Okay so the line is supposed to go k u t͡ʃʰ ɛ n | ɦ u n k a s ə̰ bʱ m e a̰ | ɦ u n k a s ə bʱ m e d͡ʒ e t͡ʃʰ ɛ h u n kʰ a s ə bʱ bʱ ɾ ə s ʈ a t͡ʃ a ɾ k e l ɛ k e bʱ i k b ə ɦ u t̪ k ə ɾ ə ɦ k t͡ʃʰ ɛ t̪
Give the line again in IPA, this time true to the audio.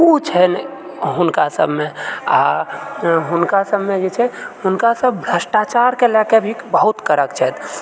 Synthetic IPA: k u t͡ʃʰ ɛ n | ɦ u n k a s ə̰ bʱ m e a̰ | ɦ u n k a s ə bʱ m e d͡ʒ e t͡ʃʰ ɛ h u n k a s ə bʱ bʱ ɾ ə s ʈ a t͡ʃ a ɾ k e l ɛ k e bʱ i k b ə ɦ u t̪ k ə ɾ ə k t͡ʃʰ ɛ t̪